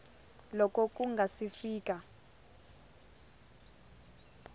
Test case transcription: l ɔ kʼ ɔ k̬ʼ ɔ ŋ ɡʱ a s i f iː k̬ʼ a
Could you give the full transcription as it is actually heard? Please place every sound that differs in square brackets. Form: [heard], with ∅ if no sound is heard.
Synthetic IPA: l ɔ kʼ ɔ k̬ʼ [u] ŋ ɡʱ a s i f iː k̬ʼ a